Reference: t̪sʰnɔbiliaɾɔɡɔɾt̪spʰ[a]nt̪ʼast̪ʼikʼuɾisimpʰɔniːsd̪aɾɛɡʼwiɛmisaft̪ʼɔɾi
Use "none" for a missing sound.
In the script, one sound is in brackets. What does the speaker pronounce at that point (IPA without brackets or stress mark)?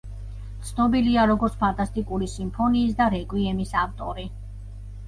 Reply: a